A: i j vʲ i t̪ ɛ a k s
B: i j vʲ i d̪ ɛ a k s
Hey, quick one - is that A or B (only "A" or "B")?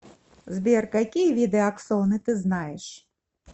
B